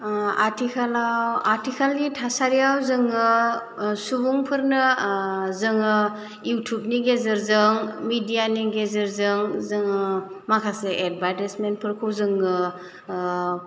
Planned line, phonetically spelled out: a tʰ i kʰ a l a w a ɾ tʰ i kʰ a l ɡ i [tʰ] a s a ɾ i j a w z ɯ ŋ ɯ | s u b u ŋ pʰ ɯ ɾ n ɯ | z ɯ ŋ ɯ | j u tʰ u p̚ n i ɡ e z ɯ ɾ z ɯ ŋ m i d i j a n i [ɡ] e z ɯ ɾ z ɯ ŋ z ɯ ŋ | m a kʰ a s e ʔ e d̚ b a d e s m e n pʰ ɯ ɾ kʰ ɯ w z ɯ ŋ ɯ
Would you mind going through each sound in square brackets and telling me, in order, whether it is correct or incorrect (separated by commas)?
correct, correct